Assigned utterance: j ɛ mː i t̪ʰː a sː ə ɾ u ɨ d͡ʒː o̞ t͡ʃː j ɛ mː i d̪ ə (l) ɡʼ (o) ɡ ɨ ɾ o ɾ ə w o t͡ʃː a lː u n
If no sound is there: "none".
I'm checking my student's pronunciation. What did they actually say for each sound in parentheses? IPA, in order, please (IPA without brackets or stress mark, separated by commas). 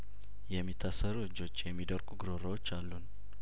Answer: ɾ, u